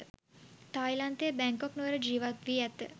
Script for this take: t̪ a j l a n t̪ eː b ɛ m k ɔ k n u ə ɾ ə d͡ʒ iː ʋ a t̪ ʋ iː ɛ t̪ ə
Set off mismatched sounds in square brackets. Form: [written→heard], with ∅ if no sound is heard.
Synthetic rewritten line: t̪ a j l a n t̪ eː b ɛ [m→ŋ] k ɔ k n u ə ɾ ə d͡ʒ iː ʋ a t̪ ʋ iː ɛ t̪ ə